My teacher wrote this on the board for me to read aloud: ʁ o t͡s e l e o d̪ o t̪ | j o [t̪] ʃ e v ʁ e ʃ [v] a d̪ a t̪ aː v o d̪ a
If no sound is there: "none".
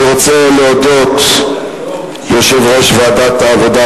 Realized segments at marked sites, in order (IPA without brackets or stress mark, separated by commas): none, v